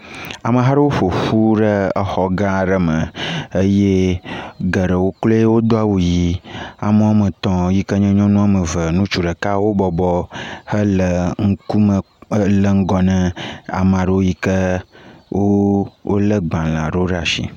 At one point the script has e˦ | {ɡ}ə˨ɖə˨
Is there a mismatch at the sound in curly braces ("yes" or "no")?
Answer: no